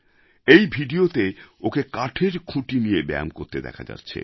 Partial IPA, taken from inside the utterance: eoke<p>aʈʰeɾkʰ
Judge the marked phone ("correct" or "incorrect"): incorrect